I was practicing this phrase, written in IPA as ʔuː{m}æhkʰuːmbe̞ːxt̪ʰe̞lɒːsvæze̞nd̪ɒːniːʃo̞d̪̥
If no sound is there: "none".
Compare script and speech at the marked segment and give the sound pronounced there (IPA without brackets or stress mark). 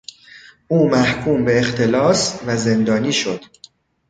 m